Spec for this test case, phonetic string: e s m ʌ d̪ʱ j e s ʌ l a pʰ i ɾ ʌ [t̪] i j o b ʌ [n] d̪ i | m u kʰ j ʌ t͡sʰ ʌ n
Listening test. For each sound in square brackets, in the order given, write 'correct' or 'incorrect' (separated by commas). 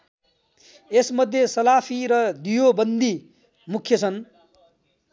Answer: incorrect, correct